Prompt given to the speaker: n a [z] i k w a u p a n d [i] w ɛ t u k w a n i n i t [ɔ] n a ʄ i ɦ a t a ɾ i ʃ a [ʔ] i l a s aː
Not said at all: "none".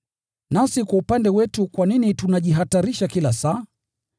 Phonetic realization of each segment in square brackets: s, ɛ, u, k

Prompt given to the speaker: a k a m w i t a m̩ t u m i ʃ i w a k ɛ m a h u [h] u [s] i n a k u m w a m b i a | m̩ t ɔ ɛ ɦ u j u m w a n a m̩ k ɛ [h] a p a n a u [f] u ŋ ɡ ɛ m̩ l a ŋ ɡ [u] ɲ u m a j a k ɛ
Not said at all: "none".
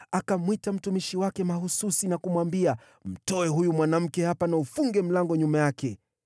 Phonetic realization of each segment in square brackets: s, s, h, f, ɔ

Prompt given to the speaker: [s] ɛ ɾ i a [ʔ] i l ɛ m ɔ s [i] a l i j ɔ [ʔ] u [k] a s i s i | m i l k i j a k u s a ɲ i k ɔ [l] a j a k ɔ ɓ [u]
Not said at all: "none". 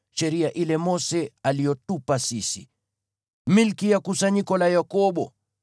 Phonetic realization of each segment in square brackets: ʃ, ʔ, ɛ, t, p, l, ɔ

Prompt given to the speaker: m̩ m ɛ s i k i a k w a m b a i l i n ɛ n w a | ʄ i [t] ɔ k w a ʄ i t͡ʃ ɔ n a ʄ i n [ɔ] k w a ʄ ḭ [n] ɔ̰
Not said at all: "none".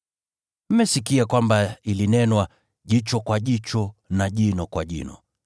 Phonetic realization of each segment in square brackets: t͡ʃ, ɔ, n

